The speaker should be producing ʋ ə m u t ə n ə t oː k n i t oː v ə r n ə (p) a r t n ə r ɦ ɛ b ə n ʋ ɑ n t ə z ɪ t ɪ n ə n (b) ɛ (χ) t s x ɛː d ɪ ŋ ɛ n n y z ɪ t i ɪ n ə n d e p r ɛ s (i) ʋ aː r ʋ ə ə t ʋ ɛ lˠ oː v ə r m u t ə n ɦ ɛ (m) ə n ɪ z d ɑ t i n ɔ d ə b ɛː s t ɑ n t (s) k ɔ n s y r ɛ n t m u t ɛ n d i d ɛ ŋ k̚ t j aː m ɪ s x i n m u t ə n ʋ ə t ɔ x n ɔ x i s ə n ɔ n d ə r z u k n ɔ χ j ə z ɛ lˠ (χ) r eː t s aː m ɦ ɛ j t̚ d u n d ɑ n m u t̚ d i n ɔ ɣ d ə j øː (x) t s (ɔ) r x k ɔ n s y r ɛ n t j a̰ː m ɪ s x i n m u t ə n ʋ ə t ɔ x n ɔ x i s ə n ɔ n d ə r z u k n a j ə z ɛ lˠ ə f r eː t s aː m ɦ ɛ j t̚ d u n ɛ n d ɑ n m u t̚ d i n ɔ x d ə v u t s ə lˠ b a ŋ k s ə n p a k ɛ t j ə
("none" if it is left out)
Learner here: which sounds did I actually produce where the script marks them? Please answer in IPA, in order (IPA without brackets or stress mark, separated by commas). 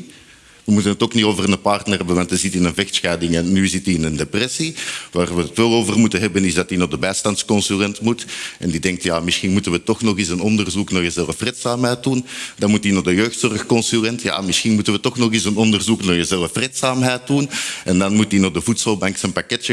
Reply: p, v, x, i, b, s, f, x, ɔ